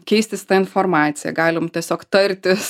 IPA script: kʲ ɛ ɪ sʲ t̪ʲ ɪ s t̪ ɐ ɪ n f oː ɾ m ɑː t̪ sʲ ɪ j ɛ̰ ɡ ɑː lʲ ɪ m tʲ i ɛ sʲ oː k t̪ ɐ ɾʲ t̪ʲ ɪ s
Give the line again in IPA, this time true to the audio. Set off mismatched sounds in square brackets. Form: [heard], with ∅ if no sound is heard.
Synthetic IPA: kʲ ɛ ɪ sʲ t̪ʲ ɪ s t̪ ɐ ɪ n f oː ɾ m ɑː t̪ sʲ ɪ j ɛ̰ ɡ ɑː lʲ ɪ m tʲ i ɛ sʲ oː k t̪ ɐ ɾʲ t̪ʲ ɪ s